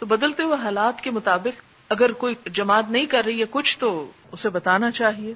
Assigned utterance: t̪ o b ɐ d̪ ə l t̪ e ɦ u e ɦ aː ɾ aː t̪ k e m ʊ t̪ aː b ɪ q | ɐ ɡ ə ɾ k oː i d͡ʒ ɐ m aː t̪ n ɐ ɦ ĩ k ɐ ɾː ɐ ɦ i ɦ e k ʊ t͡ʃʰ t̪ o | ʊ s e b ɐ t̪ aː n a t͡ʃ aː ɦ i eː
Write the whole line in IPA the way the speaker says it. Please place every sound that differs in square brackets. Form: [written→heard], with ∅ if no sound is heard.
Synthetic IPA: t̪ o b ɐ d̪ ə l t̪ e ɦ u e ɦ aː [ɾ→l] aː t̪ k e m ʊ t̪ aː b ɪ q | ɐ ɡ ə ɾ k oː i d͡ʒ ɐ m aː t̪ n ɐ ɦ ĩ k ɐ ɾː ɐ ɦ i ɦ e k ʊ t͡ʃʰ t̪ o | ʊ s e b ɐ t̪ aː n a t͡ʃ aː ɦ i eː